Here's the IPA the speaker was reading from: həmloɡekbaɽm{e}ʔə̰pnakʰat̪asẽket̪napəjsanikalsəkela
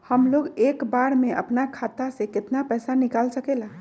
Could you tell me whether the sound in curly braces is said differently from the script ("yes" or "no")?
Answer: no